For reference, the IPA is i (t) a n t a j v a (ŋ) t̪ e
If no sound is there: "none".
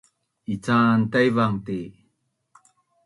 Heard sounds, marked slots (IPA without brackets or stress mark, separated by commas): t͡s, ŋ